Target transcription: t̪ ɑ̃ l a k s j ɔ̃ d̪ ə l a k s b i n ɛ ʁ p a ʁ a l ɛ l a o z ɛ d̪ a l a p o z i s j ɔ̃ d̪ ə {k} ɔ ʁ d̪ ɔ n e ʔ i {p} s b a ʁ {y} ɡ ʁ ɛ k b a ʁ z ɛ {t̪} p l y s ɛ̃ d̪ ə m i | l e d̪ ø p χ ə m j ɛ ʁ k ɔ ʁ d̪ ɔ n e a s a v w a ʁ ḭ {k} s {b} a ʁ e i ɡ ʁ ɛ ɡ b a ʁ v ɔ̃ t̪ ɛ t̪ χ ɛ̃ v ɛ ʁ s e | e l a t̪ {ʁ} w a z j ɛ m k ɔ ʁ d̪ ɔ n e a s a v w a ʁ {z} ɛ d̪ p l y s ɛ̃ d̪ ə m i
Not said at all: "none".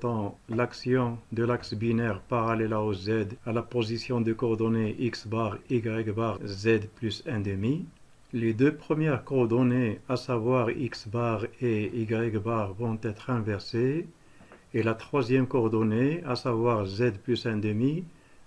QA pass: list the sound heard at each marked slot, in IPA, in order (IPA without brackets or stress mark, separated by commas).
k, k, i, d̪, k, b, χ, z